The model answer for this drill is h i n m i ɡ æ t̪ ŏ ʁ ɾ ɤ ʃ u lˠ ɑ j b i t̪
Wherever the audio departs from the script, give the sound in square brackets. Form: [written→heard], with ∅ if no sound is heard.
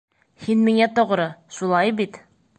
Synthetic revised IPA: h i n m i [ɡ→ŋ] æ t̪ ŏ ʁ ɾ ɤ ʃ u lˠ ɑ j b i t̪